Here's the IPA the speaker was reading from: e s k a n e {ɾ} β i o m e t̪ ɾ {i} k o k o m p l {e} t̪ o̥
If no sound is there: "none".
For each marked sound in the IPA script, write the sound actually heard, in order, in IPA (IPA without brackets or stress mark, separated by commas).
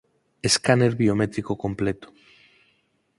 ɾ, i, e